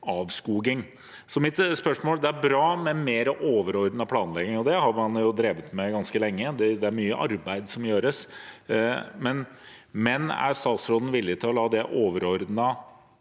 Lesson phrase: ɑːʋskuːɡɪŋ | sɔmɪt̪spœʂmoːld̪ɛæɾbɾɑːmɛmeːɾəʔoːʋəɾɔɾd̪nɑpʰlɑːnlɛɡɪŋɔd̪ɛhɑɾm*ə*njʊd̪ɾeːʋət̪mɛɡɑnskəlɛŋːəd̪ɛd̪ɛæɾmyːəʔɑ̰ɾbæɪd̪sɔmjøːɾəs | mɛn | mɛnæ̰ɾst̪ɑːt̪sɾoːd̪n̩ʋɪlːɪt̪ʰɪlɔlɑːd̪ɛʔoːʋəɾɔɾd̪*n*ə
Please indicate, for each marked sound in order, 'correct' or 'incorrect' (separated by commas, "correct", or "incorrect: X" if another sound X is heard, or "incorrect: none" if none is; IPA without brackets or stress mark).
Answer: incorrect: ɑ, correct